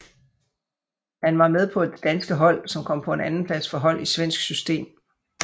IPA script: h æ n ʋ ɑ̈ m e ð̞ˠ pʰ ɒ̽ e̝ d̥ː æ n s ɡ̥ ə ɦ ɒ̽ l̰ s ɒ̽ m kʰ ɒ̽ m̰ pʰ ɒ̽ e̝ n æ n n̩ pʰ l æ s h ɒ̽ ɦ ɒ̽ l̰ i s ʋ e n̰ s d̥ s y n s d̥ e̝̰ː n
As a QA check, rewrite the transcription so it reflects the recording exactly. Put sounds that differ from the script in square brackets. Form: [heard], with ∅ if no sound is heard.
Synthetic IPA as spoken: h æ n ʋ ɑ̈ m e ð̞ˠ pʰ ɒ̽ e̝ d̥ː æ n s ɡ̥ ə ɦ ɒ̽ l̰ s ɒ̽ m kʰ ɒ̽ m̰ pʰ ɒ̽ e̝ n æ n n̩ pʰ l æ s [f] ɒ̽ ɦ ɒ̽ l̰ i s ʋ e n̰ s [ɡ̥] s y [∅] s d̥ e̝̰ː [m]